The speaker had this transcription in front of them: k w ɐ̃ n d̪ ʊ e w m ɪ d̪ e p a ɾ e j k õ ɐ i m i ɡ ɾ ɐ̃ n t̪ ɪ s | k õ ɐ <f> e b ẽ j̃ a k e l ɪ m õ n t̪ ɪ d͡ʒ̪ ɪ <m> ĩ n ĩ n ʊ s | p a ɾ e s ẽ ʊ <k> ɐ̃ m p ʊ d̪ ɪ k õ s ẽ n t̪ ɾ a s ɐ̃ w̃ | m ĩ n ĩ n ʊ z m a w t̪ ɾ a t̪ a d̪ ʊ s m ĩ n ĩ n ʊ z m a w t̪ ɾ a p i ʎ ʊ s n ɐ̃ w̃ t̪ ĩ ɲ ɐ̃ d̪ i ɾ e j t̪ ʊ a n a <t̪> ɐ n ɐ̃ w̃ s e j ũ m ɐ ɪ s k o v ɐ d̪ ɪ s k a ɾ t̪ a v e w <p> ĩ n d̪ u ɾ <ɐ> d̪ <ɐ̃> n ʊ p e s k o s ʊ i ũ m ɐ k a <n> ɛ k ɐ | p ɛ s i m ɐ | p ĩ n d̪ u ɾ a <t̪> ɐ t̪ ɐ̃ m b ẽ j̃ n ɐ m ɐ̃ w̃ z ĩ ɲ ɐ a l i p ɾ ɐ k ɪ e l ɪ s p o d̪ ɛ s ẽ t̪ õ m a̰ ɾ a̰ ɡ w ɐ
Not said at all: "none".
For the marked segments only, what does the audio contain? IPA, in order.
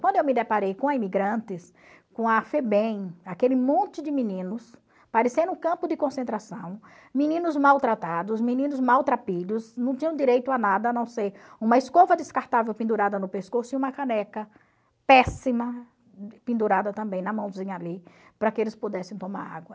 f, m, k, d̪, p, a, ɐ, n, d̪

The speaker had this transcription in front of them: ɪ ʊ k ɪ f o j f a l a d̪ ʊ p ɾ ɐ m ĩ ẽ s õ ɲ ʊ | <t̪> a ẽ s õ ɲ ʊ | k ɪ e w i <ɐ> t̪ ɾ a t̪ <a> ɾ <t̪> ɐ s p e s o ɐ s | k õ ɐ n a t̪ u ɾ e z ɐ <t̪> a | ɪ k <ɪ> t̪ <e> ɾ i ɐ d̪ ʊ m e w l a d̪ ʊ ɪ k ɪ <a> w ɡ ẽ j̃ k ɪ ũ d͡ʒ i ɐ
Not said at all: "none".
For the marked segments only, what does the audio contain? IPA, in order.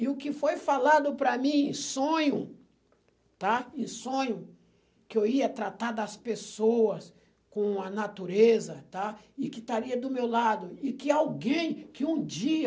t̪, ɐ, a, d̪, t̪, ɪ, a, a

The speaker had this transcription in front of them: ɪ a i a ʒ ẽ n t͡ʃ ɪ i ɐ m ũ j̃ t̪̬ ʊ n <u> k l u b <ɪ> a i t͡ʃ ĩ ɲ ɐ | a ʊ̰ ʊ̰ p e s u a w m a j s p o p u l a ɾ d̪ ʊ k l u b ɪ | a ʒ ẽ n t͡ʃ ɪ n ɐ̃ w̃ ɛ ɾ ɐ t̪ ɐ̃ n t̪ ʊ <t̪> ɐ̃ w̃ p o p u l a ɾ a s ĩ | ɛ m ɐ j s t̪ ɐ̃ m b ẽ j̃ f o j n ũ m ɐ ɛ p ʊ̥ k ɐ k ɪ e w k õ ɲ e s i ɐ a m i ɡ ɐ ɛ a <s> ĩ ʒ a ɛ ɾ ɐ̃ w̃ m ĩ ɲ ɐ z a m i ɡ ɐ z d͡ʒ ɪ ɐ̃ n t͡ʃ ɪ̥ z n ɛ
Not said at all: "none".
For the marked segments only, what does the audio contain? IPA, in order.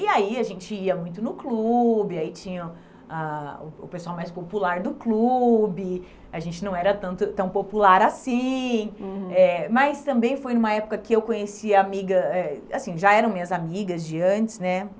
ʊ, ɪ, t̪, s

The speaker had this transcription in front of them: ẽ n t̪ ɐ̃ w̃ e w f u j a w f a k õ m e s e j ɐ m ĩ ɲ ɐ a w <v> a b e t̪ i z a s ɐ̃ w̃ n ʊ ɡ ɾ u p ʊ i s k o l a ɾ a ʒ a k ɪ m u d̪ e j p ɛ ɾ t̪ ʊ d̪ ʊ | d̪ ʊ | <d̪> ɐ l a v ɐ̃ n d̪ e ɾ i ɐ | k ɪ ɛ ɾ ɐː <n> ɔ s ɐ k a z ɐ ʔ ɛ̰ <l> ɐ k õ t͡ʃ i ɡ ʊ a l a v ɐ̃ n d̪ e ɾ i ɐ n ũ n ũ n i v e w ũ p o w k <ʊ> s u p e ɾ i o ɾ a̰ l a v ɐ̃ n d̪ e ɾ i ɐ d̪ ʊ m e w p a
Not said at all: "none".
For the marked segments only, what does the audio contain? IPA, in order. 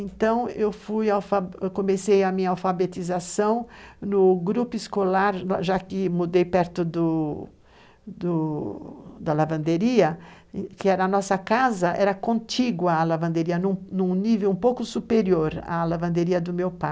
f, d̪, n, ɾ, ʊ

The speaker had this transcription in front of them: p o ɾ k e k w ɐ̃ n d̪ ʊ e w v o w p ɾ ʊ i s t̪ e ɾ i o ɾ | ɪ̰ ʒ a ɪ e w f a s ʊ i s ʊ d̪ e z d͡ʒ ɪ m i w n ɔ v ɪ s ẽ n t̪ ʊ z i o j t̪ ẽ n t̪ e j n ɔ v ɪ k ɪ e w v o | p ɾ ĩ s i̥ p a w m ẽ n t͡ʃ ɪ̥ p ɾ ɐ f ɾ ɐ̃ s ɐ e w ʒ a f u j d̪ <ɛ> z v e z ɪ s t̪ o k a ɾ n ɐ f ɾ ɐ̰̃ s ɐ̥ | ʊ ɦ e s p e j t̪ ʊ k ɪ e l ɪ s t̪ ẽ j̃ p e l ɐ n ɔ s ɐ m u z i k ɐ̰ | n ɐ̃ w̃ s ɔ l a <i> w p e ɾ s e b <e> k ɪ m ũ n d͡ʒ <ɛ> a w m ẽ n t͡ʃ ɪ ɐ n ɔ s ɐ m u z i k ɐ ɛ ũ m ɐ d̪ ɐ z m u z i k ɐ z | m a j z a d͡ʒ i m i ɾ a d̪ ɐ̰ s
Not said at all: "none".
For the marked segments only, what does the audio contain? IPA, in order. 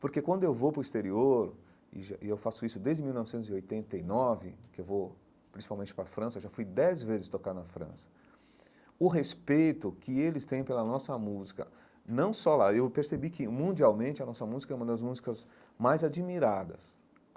ɛ, e, i, i

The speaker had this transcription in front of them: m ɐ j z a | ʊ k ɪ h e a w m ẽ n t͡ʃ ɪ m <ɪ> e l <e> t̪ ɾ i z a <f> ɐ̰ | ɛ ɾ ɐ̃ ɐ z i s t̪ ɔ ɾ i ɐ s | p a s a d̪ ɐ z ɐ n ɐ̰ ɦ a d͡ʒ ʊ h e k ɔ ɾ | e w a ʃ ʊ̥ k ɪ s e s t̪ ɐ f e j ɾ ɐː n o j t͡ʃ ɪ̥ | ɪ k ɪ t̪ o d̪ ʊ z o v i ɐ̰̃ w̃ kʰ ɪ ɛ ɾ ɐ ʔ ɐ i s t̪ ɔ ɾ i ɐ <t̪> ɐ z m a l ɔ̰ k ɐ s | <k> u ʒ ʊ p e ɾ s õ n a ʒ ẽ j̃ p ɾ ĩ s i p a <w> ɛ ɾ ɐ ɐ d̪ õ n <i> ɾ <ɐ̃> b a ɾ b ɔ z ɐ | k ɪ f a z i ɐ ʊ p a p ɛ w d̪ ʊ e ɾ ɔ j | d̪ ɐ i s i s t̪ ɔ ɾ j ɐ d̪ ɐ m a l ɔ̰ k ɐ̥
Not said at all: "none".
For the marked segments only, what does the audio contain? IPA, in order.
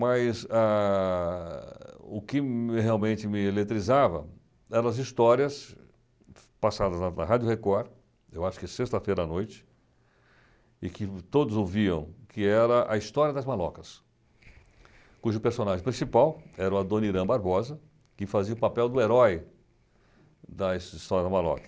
ɪ, e, v, d̪, k, w, i, ɐ̃

